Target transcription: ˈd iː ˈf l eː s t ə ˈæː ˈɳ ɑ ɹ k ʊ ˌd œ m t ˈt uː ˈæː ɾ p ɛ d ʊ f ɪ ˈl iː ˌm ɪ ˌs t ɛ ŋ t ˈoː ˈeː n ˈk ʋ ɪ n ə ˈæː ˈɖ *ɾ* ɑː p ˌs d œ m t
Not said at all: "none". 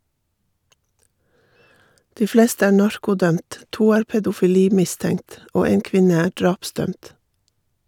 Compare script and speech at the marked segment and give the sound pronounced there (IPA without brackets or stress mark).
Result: ɹ